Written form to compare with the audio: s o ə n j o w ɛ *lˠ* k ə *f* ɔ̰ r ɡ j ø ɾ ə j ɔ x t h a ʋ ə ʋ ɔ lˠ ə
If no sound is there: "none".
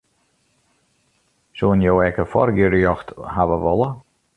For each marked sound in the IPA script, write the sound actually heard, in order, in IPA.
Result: none, f

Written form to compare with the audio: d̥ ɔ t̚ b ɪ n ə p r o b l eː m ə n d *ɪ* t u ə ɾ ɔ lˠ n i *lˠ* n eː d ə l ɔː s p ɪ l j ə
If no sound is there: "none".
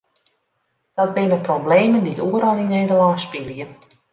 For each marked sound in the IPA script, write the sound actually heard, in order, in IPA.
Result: i, none

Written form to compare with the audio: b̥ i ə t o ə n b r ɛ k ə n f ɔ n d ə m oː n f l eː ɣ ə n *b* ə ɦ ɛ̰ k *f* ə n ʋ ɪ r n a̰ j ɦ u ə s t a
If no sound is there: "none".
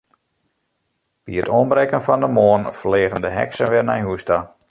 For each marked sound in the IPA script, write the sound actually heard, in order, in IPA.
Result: d, s

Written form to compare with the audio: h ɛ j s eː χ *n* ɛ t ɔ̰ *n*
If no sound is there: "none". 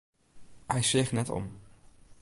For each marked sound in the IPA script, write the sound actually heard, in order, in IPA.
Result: n, m

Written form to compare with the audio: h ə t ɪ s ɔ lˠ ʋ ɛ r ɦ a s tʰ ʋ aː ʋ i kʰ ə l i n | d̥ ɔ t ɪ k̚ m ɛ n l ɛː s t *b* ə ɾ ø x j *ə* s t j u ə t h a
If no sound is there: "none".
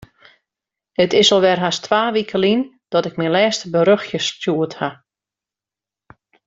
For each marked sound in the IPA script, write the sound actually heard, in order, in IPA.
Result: b, ə

